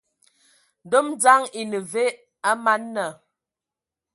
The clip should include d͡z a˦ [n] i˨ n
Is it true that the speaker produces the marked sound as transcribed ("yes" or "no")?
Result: no